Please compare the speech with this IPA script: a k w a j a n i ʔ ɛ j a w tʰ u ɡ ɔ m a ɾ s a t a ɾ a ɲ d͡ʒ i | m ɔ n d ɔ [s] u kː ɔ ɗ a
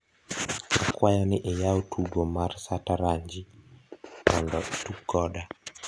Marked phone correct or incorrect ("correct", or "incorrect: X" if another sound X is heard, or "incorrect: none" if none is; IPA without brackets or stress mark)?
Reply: incorrect: t